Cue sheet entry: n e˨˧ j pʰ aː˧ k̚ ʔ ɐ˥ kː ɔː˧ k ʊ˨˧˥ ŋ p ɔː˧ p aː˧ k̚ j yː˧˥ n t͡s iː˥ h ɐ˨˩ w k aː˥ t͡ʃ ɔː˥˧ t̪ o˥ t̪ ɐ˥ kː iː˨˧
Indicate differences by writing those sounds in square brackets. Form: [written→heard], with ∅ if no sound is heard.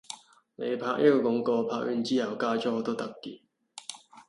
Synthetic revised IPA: n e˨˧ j pʰ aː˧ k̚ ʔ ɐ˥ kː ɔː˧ k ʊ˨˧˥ ŋ [p→k] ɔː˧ [p→pʰ] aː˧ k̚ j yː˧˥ n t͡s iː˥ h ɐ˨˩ w k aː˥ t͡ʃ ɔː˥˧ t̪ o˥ t̪ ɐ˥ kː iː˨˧